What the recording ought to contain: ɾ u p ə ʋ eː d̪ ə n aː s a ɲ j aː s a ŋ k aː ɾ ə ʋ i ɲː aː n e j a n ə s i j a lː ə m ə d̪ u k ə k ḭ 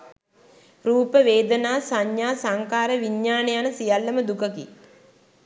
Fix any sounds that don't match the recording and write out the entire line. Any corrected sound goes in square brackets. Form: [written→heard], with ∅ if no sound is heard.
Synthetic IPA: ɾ [u→uː] p ə ʋ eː d̪ ə n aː s a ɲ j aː s a ŋ k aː ɾ ə ʋ i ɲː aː n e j a n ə s i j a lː ə m ə d̪ u k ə k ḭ